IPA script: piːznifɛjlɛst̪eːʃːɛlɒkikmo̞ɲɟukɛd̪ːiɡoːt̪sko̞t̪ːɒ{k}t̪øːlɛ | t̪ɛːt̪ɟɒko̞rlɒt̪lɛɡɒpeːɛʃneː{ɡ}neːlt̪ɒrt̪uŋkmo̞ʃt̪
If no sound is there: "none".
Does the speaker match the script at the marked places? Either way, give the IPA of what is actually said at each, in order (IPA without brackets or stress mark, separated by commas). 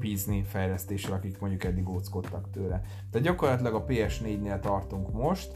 k, ɟ